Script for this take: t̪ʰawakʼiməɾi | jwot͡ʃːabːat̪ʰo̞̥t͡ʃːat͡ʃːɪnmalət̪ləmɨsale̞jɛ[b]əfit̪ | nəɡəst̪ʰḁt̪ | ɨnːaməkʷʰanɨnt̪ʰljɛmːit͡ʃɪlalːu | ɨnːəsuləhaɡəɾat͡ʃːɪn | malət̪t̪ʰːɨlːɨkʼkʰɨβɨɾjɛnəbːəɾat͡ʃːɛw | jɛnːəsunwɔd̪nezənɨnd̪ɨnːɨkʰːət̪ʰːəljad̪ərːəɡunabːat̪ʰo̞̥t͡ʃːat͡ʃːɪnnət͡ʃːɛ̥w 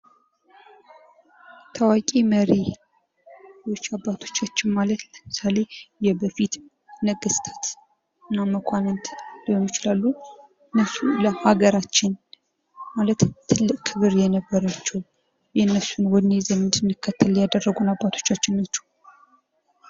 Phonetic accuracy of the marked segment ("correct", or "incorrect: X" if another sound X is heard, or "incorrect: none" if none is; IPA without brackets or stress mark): correct